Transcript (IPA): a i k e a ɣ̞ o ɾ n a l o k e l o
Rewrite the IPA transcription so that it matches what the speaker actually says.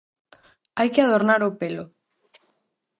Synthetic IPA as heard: a j k e a ð̞ o ɾ n a ɾ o p e l o

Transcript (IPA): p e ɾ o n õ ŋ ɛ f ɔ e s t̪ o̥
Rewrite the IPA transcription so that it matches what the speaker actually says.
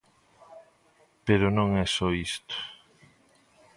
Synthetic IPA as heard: p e ɾ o n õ ŋ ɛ s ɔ i s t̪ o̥

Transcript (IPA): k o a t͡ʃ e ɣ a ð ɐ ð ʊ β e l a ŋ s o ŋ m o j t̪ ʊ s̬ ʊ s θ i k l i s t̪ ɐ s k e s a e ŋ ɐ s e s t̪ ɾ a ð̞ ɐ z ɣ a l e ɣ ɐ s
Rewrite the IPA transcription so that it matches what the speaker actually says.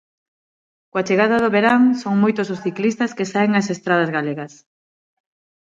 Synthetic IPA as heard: k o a t͡ʃ e ɣ a ð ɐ ð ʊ β e ɾ a ŋ s o ŋ m o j t̪ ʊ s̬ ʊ s θ i k l i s t̪ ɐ s k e s a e ŋ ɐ s e s t̪ ɾ a ð̞ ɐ z ɣ a l e ɣ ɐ s

